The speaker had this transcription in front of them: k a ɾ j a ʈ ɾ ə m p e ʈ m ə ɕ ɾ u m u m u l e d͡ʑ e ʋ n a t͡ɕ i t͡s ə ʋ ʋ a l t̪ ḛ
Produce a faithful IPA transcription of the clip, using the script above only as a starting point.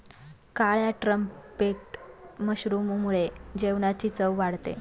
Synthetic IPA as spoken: k a ɭ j a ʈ ɾ ə m p e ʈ m ə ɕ ɾ u m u m u ɭ e d͡ʑ e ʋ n a t͡ɕ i t͡s ə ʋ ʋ a ɽ t̪ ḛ